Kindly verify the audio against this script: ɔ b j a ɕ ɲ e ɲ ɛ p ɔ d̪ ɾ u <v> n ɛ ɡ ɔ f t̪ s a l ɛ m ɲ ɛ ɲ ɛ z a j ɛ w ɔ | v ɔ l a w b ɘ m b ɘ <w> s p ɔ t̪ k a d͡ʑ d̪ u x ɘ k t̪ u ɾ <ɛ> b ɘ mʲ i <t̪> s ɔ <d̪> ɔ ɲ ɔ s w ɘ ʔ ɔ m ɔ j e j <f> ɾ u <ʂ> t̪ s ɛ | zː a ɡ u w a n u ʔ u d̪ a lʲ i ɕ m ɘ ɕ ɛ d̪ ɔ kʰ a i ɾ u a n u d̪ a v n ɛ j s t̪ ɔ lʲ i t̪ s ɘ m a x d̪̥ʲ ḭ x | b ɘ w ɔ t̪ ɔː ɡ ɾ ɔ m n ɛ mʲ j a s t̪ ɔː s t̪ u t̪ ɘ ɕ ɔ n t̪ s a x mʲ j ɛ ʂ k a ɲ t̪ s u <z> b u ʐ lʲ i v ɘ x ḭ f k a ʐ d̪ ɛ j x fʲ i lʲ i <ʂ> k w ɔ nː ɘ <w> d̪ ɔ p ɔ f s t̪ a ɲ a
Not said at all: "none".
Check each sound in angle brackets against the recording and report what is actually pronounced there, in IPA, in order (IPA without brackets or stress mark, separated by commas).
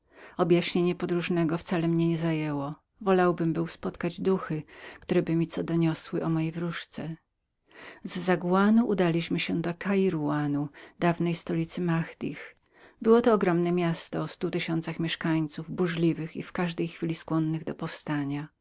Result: ʐ, w, ɛ, t̪, d̪, v, ʂ, v, s, ɣ